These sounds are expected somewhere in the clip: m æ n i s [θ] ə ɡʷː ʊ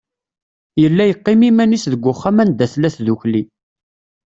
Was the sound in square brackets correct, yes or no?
no